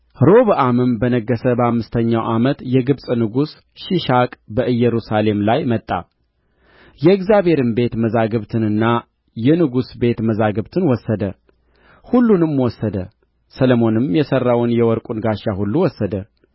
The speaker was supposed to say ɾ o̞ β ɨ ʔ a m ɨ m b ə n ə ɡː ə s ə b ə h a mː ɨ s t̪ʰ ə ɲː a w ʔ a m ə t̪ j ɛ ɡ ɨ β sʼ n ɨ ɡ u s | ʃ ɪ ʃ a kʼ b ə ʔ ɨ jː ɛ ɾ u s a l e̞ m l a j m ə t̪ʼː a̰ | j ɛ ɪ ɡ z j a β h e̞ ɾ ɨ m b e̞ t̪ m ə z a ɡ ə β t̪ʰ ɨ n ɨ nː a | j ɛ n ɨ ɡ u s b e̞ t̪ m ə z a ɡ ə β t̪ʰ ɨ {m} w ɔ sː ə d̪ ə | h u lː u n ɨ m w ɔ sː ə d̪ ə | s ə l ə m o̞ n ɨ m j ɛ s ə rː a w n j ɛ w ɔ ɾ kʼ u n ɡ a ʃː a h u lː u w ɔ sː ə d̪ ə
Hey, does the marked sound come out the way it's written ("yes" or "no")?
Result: no